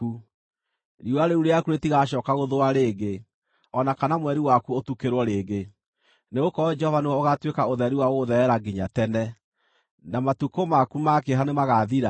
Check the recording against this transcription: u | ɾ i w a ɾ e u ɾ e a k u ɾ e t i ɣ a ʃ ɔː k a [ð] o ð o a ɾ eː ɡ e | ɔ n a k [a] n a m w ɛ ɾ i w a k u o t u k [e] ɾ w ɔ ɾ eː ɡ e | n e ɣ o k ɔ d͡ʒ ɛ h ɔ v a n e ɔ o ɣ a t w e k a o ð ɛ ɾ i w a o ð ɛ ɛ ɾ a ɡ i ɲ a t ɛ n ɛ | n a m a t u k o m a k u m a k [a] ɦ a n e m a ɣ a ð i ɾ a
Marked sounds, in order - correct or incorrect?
incorrect, correct, correct, incorrect

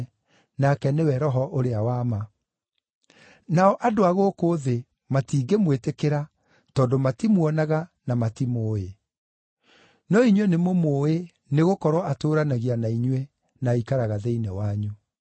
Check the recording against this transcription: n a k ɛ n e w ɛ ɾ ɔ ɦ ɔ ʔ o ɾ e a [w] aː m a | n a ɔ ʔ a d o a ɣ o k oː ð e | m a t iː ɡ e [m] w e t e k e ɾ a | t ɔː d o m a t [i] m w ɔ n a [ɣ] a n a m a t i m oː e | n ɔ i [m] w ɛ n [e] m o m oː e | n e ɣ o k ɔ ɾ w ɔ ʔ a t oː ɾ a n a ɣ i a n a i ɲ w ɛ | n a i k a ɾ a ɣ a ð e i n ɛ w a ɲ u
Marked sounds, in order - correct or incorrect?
correct, correct, correct, correct, incorrect, correct

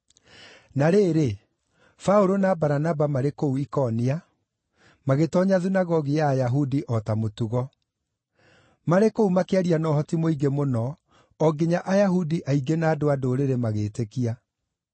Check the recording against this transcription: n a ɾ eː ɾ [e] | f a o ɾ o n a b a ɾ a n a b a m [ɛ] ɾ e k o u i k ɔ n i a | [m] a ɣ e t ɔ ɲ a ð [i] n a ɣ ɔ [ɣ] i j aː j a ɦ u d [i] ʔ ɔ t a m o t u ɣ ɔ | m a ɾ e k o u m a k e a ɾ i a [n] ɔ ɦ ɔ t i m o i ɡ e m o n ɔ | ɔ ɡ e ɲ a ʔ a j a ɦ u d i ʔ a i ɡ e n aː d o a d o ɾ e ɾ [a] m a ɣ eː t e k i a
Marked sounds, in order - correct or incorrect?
correct, incorrect, correct, correct, correct, correct, correct, incorrect

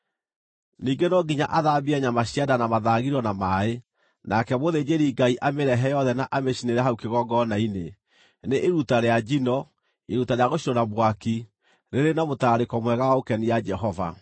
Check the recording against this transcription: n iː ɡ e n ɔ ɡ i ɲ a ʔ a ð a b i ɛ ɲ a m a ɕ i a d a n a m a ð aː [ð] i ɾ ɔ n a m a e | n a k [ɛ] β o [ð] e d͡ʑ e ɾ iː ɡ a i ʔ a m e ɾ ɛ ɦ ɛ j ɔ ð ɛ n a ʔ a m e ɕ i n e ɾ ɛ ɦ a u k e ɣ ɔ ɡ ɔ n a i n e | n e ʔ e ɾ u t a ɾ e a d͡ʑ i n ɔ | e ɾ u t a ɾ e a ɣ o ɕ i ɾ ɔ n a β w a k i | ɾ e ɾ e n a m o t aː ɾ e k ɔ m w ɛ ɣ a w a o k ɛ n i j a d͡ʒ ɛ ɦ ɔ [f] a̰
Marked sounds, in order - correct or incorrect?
incorrect, correct, correct, incorrect

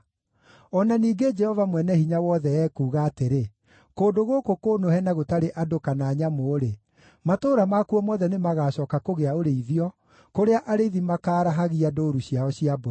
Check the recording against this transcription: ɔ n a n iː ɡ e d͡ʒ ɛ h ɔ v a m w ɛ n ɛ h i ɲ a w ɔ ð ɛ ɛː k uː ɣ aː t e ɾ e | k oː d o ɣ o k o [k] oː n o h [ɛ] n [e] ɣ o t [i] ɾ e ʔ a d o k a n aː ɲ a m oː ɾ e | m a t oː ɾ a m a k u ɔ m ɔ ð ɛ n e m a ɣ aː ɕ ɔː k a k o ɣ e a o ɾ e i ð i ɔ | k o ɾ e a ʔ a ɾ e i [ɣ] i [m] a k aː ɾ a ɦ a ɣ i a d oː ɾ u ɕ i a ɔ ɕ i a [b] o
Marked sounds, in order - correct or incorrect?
correct, correct, incorrect, incorrect, incorrect, correct, correct

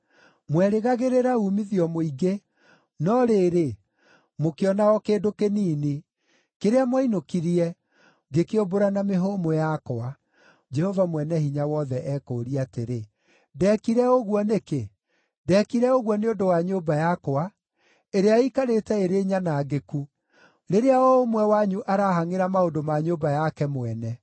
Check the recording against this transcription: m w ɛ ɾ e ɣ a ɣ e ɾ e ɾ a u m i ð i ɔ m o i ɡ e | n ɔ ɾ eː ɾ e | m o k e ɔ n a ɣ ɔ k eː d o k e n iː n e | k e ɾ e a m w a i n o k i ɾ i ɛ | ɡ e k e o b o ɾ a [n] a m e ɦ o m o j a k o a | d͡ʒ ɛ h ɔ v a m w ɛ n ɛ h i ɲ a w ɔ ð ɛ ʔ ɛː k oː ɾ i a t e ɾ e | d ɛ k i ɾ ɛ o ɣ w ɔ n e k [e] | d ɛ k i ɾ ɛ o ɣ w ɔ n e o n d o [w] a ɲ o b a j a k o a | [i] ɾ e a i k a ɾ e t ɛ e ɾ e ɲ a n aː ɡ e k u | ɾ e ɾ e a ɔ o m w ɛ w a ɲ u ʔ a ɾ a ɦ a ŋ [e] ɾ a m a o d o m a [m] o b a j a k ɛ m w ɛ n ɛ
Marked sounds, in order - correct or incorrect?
correct, correct, correct, incorrect, correct, incorrect

